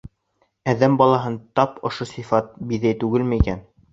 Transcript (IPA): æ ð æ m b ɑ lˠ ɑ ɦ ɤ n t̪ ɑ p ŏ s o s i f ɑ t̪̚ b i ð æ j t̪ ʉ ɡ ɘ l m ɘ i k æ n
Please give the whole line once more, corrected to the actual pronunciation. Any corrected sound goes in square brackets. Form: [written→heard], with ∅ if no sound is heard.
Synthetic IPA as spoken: æ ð æ m b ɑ lˠ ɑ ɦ ɤ n t̪ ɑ p ŏ [s→ʃ] o s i f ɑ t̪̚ b i ð æ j t̪ ʉ ɡ ɘ l m ɘ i k æ n